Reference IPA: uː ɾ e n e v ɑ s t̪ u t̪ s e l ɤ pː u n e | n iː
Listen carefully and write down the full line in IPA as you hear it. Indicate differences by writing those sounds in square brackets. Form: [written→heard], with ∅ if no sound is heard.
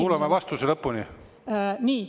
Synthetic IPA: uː [ɾ→l] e [n→m] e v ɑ s t̪ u [t̪→∅] s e l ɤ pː u n [e→i] | n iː